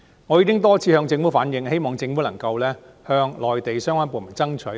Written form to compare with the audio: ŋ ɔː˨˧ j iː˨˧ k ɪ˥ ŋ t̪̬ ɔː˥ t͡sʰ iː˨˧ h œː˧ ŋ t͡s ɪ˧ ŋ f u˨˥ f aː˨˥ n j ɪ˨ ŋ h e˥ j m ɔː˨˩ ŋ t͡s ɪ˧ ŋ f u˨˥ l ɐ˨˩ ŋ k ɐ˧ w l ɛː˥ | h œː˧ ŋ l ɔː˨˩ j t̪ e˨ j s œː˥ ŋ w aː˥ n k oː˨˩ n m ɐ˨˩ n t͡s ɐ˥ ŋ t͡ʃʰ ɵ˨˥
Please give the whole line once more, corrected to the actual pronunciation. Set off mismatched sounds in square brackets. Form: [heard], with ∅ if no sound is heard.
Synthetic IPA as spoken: ŋ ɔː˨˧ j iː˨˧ k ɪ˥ ŋ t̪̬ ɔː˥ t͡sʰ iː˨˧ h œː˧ ŋ t͡s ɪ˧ ŋ f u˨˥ f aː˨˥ n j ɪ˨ ŋ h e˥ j m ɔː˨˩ ŋ t͡s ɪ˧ ŋ f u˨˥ l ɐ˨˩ ŋ k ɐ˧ w l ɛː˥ | h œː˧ ŋ l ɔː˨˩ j t̪ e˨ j s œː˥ ŋ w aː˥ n [p] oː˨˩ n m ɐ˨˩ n t͡s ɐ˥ ŋ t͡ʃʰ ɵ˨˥